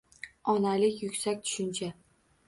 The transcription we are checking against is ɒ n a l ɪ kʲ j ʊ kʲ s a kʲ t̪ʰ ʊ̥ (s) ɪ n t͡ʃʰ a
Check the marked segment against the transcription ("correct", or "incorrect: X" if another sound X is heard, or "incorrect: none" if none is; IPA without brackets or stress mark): incorrect: ʃ